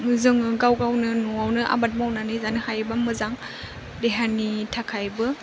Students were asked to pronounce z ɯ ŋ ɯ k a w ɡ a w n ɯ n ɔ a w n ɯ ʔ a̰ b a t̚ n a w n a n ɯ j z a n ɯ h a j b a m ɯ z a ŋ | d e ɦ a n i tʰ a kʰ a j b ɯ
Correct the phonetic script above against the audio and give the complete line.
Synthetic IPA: z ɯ ŋ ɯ ɡ a w ɡ a w n ɯ n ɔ a w n ɯ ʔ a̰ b a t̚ m a w n a n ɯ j z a n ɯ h a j b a m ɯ z a ŋ | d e ɦ a n i tʰ a kʰ a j b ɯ